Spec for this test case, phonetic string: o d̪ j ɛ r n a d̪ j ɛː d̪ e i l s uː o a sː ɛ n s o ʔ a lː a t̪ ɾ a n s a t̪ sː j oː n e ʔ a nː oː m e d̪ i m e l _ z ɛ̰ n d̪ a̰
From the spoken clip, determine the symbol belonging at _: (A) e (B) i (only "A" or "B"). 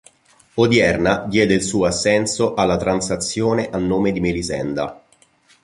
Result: B